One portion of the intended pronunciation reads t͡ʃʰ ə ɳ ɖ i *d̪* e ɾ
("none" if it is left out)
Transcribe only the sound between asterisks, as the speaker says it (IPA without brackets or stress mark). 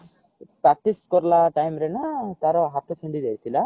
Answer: d̪